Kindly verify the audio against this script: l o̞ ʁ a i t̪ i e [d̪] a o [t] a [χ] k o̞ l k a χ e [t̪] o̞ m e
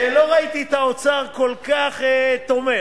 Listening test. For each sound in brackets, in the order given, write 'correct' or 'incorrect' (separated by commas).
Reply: incorrect, incorrect, incorrect, correct